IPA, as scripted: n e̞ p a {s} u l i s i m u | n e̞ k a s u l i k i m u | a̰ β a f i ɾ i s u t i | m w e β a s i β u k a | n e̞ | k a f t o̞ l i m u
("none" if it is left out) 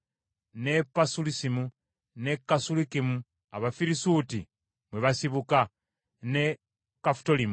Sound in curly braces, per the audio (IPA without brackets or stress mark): s